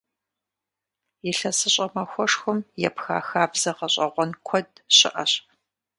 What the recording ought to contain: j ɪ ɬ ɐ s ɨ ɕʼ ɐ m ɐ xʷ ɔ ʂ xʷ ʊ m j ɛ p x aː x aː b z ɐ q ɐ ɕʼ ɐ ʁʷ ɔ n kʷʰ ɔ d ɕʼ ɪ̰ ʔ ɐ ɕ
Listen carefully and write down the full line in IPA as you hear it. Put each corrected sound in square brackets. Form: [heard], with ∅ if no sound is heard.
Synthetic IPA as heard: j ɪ ɬ ɐ s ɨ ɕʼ ɐ m ɐ xʷ ɔ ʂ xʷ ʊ m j ɛ p x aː x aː b z ɐ q ɐ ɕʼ ɐ ʁʷ ɔ n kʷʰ ɔ d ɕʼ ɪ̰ ʔ ɐ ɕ